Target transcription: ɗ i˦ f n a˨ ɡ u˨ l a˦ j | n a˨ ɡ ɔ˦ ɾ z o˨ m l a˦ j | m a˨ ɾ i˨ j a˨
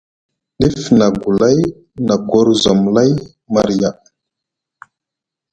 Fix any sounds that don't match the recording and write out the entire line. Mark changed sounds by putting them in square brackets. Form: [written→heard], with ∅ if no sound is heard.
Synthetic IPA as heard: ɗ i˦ f n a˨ ɡ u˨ l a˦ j | n a˨ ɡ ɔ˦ ɾ z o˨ m l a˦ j | m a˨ ɾ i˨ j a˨